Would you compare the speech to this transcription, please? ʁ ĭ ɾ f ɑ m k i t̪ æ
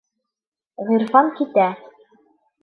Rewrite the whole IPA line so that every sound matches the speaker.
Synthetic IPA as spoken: ʁ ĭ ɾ f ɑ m k i t̪ æ